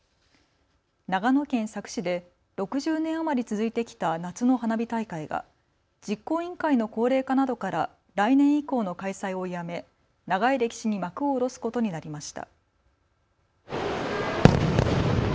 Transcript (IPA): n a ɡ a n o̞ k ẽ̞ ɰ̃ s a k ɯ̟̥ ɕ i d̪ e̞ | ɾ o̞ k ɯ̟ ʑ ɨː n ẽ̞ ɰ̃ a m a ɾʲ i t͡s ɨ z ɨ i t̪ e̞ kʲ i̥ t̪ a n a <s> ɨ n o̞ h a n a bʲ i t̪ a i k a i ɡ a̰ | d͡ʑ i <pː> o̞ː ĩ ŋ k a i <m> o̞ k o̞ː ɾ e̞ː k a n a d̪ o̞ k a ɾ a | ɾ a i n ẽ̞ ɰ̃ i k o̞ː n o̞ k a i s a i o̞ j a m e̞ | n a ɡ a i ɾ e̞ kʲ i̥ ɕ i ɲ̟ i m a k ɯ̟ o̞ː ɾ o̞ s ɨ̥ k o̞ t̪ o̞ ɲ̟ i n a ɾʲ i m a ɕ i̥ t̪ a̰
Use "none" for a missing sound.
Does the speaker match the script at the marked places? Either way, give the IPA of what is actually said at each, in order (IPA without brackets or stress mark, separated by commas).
t͡s, kː, n